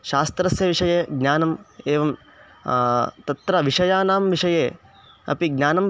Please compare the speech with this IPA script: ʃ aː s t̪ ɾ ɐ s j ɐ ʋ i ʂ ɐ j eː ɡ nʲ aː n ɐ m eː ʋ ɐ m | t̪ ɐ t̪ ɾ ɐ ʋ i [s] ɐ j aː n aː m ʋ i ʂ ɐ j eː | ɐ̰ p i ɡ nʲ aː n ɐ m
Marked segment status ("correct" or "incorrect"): incorrect